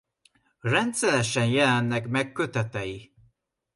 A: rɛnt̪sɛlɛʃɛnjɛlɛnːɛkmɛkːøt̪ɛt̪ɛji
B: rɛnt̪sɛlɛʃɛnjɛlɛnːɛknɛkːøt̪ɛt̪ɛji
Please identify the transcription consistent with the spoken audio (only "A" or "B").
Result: A